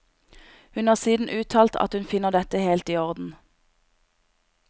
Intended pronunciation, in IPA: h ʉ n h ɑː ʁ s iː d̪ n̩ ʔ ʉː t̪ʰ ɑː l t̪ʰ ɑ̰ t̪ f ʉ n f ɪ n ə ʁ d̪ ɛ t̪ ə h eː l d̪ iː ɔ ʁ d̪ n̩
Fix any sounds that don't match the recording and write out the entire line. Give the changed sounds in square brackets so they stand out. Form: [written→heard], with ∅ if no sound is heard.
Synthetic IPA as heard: h ʉ n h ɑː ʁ s iː d̪ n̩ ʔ ʉː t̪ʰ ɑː l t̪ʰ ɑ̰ t̪ [f→h] ʉ n f ɪ n ə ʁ d̪ ɛ t̪ ə h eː l [d̪→t̪] iː ɔ ʁ d̪ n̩

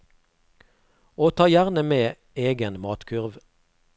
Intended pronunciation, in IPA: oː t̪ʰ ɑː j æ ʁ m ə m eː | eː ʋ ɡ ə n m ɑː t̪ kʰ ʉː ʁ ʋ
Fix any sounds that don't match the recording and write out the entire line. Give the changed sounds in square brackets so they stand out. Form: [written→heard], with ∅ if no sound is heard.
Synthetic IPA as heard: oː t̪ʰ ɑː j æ ʁ [m→n] ə m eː | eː [ʋ→∅] ɡ ə n m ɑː t̪ kʰ [ʉː→ʉ] ʁ ʋ

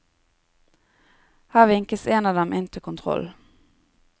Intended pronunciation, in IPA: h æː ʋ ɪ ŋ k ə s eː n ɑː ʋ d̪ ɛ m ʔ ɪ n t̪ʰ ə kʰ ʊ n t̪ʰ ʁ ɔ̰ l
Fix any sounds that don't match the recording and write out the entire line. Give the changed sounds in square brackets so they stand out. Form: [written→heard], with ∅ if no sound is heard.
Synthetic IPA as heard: h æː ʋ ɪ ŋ k ə s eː n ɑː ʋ d̪ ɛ m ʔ ɪ n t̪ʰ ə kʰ ʊ n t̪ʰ ʁ ɔ̰ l

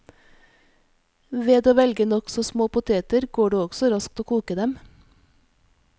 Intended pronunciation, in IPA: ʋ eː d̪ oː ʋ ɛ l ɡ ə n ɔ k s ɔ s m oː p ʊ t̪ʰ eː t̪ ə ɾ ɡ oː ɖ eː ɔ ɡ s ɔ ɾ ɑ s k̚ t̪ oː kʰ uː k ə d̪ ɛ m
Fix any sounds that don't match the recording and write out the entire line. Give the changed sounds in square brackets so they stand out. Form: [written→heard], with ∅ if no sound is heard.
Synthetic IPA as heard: ʋ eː d̪ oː ʋ ɛ l ɡ ə n ɔ k s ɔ s m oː p ʊ t̪ʰ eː t̪ ə ɾ ɡ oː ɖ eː ɔ ɡ s ɔ ɾ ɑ s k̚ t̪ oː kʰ uː k ə d̪ ɛ m

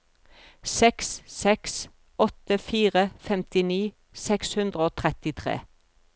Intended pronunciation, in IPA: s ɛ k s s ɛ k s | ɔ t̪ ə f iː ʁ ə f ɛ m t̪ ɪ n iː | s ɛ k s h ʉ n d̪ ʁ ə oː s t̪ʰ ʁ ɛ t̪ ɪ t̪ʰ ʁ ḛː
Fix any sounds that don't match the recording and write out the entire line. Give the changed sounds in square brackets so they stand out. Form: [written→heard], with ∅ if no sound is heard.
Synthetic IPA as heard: s ɛ k s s ɛ k s | ɔ t̪ ə f iː ʁ ə f ɛ m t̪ ɪ n iː | s ɛ k s h ʉ n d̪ ʁ ə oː [s→∅] t̪ʰ ʁ ɛ t̪ ɪ t̪ʰ ʁ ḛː

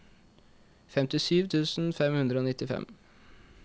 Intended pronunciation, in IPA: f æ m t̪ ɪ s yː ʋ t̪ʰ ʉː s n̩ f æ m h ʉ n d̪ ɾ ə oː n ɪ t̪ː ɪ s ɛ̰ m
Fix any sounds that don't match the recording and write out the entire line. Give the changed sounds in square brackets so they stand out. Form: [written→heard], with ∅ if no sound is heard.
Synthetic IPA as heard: f [æ→ɛ] m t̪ ɪ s yː ʋ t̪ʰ ʉː s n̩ f [æ→ɛ] m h ʉ n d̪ ɾ ə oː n ɪ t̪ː ɪ [s→f] ɛ̰ m

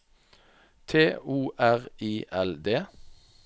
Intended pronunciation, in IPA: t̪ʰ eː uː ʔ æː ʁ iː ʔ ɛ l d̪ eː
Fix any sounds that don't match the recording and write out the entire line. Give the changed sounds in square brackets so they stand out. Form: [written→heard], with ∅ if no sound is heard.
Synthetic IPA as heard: t̪ʰ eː uː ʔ [æː→æ] ʁ iː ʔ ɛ l d̪ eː

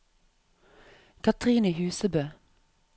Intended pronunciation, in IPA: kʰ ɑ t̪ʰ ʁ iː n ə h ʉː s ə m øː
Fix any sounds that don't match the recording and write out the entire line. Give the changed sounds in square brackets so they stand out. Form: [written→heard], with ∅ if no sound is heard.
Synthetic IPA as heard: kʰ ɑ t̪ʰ ʁ iː n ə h ʉː s ə [m→b] øː

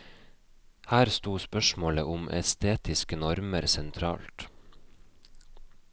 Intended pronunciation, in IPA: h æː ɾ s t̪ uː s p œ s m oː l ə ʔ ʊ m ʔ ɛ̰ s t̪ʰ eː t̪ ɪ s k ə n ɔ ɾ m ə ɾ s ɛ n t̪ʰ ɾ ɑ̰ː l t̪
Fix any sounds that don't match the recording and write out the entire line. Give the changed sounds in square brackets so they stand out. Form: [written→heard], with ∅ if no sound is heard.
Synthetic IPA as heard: h æː ɾ s t̪ uː s p œ [s→ʃ] m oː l ə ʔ ʊ m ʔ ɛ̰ s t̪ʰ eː t̪ ɪ s k ə n ɔ ɾ m ə ɾ s ɛ n t̪ʰ ɾ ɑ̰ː l t̪

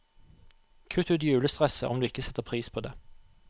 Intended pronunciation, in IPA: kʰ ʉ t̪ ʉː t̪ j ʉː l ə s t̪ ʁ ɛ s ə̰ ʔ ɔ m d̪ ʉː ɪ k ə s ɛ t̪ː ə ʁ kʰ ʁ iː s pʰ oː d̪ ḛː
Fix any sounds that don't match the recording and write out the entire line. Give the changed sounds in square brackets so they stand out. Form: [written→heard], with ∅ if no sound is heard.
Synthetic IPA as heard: kʰ ʉ t̪ ʉː t̪ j ʉː l ə s t̪ ʁ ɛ s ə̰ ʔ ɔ m d̪ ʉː ɪ k ə s ɛ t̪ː ə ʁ [kʰ→pʰ] ʁ iː s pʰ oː d̪ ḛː

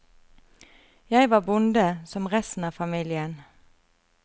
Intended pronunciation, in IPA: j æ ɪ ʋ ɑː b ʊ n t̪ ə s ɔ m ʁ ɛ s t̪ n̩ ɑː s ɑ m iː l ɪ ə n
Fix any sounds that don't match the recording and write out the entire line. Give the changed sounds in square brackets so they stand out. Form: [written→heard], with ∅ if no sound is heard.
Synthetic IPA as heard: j æ ɪ ʋ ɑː b ʊ n [t̪→d̪] ə s ɔ m ʁ ɛ s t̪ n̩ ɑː [s→f] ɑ m iː l ɪ ə n

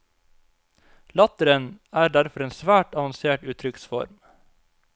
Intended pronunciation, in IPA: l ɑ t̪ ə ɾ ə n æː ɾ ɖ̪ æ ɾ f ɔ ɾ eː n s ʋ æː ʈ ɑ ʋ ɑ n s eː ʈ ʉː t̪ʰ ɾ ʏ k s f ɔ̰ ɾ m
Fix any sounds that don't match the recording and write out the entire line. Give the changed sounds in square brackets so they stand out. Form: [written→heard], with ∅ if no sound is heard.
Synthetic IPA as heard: l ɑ t̪ ə ɾ ə n æː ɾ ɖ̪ æ ɾ f ɔ ɾ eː n s ʋ æː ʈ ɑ ʋ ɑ n s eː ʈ ʉː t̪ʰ ɾ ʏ k s f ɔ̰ ɾ m

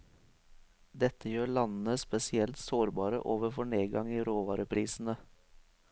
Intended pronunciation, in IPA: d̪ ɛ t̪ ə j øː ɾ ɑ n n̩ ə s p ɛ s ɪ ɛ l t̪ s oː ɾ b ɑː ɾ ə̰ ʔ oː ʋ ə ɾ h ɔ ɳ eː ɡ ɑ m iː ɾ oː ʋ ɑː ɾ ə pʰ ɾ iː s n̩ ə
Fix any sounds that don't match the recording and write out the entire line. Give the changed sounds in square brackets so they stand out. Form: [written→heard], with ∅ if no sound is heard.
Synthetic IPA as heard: d̪ ɛ t̪ ə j øː [ɾ→ɭ] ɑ n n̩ ə s p ɛ s ɪ ɛ l t̪ s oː ɾ b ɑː ɾ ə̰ ʔ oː ʋ ə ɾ [h→f] ɔ ɳ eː ɡ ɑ [m→ŋ] iː ɾ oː ʋ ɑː ɾ ə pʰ ɾ iː s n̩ ə

